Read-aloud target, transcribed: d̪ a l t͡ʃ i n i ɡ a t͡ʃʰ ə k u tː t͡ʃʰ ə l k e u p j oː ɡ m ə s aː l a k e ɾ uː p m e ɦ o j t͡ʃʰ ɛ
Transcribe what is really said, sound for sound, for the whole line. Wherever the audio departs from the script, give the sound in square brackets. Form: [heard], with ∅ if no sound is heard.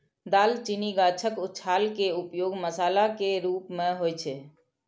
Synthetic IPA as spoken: d̪ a l t͡ʃ i n i ɡ a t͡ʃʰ ə k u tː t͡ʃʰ [a] l k e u p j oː ɡ m ə s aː l a k e ɾ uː p m e ɦ o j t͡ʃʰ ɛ